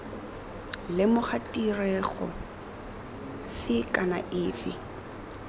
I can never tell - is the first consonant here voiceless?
no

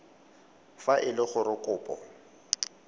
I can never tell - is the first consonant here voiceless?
yes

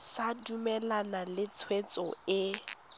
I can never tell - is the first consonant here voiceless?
yes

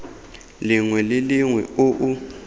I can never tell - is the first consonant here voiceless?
no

